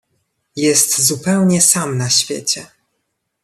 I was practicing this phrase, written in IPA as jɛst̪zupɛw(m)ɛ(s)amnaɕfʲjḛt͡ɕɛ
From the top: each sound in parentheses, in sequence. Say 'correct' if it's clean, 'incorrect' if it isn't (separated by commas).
incorrect, correct